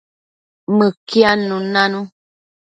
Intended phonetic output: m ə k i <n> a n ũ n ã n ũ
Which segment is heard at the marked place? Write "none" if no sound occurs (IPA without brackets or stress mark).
none